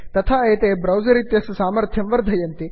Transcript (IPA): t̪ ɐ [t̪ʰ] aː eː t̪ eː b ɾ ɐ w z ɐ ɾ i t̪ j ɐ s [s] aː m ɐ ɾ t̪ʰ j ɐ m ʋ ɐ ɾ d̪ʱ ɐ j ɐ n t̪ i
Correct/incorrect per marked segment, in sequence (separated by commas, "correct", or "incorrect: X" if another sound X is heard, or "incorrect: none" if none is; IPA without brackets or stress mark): correct, correct